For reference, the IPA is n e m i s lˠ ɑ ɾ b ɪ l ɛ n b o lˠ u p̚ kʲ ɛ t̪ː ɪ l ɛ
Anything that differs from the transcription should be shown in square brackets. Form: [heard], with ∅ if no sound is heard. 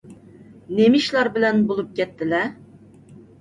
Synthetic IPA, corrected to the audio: n e m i [ʃ] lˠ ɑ ɾ b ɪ l ɛ n b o lˠ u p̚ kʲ ɛ t̪ː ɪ l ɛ